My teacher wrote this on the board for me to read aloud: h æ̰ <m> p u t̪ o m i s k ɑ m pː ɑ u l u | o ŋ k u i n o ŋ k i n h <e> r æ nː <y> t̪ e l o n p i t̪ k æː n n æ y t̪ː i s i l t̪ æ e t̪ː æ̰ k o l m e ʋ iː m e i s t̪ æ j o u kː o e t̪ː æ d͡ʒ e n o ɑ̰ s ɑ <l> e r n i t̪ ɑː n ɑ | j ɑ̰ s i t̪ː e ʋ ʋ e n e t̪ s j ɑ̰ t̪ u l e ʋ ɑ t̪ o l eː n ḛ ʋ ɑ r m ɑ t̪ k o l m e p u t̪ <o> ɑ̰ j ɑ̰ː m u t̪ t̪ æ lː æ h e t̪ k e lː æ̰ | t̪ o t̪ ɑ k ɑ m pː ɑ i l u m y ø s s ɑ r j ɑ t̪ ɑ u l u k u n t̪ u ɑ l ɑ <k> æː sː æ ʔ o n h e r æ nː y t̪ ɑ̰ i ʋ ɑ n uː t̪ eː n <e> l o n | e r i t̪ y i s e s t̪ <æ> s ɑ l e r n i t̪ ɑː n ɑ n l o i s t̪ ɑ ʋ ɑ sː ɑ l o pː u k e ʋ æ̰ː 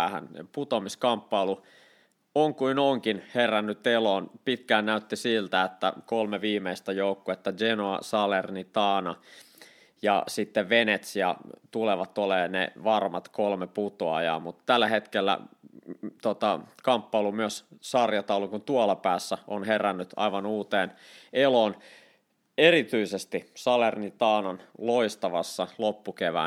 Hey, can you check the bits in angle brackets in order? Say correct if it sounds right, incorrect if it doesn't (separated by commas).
incorrect, correct, correct, correct, correct, incorrect, correct, incorrect